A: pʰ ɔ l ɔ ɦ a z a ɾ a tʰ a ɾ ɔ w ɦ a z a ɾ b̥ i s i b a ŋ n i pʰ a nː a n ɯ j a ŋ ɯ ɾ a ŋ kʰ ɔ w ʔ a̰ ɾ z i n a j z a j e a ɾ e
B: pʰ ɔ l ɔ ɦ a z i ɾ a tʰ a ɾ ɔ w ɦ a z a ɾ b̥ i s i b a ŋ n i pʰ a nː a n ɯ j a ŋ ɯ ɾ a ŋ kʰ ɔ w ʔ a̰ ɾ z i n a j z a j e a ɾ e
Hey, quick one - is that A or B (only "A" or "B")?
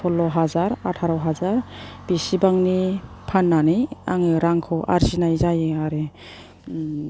A